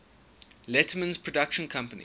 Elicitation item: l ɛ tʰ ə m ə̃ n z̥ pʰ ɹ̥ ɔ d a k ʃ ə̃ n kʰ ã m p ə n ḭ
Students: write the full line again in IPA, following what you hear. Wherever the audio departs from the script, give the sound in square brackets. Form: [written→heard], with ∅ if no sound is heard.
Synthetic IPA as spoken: l ɛ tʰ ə m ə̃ n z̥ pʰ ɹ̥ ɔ d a k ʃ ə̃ n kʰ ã m p ə n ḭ